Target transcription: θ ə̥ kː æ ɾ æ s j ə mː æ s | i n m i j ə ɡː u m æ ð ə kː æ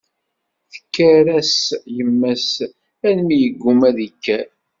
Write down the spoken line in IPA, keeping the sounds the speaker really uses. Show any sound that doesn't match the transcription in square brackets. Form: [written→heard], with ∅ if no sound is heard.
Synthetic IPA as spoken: θ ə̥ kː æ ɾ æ s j ə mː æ s | [i→æ] n m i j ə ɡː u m æ ð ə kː æ